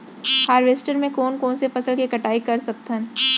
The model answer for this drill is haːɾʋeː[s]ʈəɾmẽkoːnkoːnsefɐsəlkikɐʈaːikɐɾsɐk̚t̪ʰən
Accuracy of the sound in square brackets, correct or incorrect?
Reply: correct